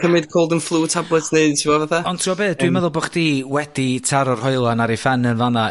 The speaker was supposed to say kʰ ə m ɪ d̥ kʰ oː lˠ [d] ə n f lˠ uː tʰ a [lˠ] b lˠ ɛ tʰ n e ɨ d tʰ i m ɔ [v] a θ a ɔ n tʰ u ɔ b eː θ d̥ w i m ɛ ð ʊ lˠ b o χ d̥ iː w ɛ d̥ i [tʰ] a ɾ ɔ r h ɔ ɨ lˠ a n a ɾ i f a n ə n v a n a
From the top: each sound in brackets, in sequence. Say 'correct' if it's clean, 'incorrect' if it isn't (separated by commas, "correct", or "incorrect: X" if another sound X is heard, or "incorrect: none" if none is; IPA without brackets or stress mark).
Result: correct, incorrect: none, correct, correct